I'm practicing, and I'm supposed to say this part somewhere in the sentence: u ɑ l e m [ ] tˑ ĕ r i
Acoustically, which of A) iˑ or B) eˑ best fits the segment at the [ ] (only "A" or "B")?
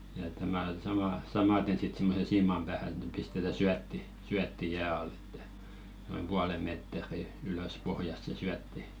B